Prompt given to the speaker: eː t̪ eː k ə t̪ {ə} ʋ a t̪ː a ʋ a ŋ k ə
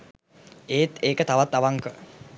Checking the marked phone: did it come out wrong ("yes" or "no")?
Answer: yes